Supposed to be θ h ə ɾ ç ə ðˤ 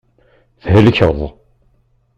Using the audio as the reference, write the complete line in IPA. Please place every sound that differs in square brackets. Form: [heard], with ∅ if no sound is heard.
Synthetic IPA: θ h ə [l] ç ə ðˤ

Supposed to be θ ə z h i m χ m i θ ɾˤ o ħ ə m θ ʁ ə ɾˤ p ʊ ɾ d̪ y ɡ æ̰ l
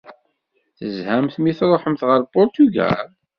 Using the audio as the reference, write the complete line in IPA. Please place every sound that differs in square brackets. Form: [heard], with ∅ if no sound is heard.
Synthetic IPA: θ ə z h [æ] m [θ] m i θ ɾˤ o ħ ə m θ ʁ ə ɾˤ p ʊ ɾ [t̪] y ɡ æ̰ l

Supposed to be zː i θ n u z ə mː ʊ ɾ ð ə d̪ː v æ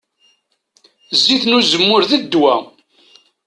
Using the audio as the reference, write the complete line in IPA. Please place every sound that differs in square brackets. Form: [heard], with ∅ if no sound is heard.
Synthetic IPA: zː i θ n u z ə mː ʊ ɾ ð ə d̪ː [w] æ

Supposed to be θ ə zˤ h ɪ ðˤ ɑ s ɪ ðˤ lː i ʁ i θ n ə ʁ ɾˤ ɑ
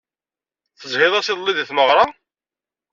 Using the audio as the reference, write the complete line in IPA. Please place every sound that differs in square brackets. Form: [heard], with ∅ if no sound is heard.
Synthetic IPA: θ ə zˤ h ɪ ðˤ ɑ s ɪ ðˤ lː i [ð] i θ [m] ə ʁ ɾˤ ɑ

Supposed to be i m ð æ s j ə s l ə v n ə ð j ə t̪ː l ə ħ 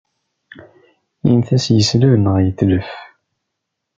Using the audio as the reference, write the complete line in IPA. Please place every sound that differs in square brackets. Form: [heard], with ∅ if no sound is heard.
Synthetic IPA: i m [θ] æ s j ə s l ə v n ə [ʁ] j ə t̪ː l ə [f]

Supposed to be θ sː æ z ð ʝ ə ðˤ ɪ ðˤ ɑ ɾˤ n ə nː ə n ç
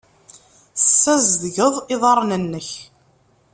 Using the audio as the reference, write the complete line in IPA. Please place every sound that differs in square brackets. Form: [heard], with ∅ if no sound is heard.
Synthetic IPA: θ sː æ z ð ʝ ə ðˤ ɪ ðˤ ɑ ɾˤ n ə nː ə [∅] ç

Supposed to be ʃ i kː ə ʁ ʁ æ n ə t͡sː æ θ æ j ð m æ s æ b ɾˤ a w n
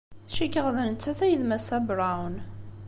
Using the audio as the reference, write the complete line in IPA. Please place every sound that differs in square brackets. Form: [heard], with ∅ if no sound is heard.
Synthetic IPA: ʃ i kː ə ʁ [ð] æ n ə t͡sː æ θ æ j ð m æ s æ b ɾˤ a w n

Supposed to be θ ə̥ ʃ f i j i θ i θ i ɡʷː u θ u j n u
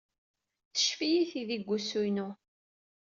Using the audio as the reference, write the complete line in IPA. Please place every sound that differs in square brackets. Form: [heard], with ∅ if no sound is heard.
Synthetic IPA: θ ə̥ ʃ f i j i θ i [ð] i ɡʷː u [s] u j n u

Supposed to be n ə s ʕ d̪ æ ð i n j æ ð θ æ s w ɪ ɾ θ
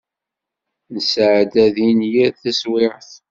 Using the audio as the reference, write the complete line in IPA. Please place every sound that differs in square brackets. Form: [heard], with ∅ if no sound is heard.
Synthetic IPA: n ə s ʕ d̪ æ ð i n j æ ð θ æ s w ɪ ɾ θ

